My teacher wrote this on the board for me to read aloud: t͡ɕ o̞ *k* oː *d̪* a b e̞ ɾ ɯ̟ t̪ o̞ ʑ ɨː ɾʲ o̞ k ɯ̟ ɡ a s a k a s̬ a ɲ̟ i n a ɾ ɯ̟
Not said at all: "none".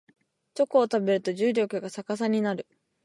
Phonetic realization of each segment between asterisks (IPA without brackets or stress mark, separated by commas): k, t̪